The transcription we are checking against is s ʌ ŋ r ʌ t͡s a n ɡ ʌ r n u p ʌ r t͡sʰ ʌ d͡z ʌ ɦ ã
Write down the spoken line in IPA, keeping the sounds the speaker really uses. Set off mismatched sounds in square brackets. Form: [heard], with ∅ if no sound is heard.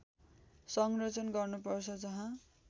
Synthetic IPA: s ʌ ŋ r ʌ t͡s [ʌ] n ɡ ʌ r n u p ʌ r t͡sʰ ʌ d͡z ʌ ɦ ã

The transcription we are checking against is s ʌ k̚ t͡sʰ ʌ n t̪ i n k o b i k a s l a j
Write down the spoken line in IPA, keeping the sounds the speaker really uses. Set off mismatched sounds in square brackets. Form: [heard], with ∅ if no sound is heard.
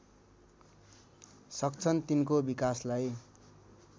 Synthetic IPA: s ʌ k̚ t͡sʰ ʌ n t̪ i n k o b i k a s l a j

